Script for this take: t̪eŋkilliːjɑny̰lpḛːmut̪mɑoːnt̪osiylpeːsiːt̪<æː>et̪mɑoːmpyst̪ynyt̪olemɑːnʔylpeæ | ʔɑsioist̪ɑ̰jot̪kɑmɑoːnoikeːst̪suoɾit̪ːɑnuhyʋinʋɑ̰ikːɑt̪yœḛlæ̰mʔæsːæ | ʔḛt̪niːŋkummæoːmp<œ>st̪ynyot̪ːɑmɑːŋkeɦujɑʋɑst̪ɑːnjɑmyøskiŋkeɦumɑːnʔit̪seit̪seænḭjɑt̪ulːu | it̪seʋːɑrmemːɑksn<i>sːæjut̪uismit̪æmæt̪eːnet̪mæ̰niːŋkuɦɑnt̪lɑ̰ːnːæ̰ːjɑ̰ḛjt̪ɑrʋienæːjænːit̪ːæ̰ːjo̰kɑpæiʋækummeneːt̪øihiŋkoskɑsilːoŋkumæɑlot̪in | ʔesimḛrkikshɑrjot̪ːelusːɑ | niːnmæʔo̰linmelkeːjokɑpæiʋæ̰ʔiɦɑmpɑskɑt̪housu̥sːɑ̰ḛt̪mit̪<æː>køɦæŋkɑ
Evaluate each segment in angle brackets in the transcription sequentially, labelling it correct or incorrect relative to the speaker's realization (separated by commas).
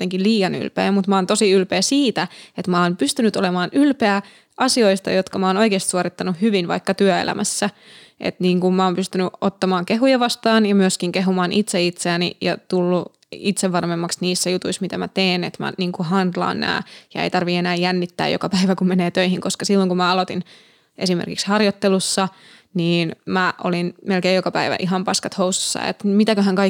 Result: incorrect, incorrect, incorrect, incorrect